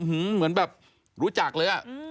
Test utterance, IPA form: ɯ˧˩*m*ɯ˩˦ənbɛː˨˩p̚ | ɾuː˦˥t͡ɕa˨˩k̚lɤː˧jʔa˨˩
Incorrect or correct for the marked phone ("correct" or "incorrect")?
correct